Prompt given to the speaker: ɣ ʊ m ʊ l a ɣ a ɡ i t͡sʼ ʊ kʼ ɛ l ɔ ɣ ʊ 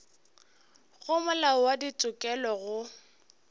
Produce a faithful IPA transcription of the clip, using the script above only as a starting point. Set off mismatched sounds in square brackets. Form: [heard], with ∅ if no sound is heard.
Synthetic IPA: ɣ ʊ m ʊ l a [w] a [d] i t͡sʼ ʊ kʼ ɛ l ɔ ɣ ʊ